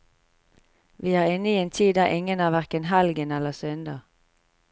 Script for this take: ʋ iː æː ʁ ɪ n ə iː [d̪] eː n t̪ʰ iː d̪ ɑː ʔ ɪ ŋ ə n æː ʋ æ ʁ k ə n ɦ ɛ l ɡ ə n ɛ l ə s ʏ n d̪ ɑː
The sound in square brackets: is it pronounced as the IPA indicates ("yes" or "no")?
no